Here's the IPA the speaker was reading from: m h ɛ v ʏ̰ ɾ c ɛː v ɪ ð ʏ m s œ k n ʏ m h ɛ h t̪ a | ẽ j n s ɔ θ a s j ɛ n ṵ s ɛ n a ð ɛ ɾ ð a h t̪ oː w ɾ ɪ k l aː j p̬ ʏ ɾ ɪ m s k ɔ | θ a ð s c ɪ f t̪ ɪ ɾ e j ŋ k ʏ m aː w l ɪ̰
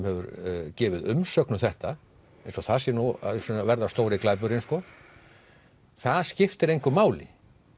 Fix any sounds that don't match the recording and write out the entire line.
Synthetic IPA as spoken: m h ɛ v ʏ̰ ɾ c ɛː v ɪ ð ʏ m s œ k n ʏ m θ ɛ h t̪ a | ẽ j n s ɔ θ a s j ɛ n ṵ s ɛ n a v ɛ ɾ ð a s t̪ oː w ɾ ɪ k l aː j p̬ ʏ ɾ ɪ n s k ɔ | θ a ð s c ɪ f t̪ ɪ ɾ e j ŋ k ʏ m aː w l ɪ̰